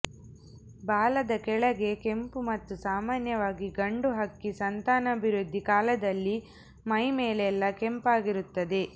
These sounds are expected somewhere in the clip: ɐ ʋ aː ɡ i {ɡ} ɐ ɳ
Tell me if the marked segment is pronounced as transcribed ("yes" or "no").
yes